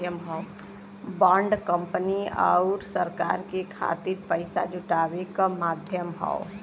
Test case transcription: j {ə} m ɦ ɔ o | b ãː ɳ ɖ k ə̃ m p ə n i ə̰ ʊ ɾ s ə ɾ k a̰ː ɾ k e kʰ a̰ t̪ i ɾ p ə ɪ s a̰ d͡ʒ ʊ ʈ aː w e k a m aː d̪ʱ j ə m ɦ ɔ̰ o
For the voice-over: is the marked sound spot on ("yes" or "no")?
yes